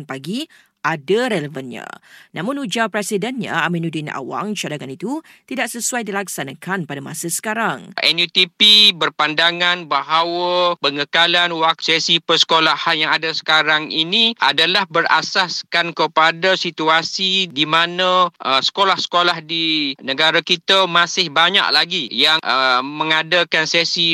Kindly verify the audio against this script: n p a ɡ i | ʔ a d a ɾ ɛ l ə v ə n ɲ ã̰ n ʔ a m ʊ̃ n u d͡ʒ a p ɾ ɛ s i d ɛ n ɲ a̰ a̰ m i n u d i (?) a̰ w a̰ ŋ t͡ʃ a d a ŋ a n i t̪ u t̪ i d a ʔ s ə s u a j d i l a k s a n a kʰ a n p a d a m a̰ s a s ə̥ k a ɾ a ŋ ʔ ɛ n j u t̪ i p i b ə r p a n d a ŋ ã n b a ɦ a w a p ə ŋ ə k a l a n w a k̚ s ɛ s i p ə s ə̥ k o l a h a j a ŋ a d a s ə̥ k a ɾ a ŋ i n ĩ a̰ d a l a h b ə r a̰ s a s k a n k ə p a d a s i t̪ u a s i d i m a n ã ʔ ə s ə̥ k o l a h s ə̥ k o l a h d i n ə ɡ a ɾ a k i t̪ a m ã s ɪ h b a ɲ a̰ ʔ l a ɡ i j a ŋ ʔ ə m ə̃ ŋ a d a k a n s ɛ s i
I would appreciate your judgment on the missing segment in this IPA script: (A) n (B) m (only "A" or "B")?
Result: A